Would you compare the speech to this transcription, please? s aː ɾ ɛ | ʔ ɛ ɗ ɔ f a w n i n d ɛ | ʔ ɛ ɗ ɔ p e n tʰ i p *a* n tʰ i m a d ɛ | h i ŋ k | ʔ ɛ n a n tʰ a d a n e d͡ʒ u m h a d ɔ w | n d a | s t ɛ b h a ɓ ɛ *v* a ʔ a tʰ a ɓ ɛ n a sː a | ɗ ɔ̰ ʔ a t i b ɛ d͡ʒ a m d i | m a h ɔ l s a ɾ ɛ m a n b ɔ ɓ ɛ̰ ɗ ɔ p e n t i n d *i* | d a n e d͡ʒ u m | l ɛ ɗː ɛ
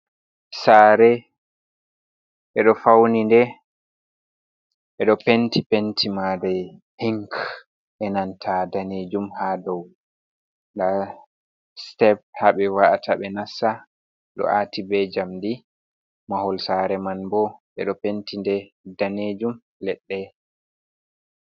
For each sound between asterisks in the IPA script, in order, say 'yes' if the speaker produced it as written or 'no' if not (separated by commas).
no, no, no